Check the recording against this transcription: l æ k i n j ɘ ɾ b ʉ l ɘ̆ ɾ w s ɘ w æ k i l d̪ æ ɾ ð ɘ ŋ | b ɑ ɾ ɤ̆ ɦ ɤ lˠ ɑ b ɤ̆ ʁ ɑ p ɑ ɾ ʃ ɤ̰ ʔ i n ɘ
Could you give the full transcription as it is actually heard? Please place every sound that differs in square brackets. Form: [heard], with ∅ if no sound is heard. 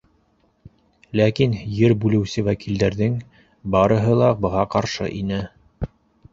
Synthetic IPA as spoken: l æ k i n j ɘ ɾ b ʉ l ɘ̆ [∅] w s ɘ w æ k i l d̪ æ ɾ ð ɘ ŋ | b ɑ ɾ ɤ̆ ɦ ɤ lˠ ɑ b ɤ̆ ʁ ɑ [q] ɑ ɾ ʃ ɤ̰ ʔ i n ɘ